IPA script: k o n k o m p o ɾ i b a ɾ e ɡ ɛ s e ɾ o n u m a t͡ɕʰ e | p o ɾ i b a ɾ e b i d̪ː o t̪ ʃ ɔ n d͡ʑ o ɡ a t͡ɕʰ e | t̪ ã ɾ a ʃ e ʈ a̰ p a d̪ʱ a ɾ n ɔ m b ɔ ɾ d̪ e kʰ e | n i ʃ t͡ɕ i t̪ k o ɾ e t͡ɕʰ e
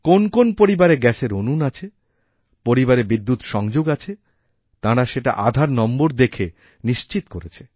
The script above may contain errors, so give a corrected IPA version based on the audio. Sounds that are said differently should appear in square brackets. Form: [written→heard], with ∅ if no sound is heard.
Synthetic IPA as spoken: k o n k o [m→n] p o ɾ i b a ɾ e ɡ ɛ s e ɾ o n u [m→n] a t͡ɕʰ e | p o ɾ i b a ɾ e b i d̪ː [o→u] t̪ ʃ ɔ [n→ŋ] d͡ʑ o ɡ a t͡ɕʰ e | t̪ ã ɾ a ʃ e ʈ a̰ [p→ʔ] a d̪ʱ a ɾ n ɔ m b [ɔ→o] ɾ d̪ e kʰ e | n i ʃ t͡ɕ i t̪ k o ɾ e t͡ɕʰ e